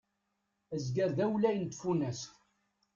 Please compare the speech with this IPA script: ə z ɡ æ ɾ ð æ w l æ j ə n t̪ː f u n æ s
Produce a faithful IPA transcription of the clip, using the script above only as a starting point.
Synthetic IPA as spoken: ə z ɡ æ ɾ ð æ w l æ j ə n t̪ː f u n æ s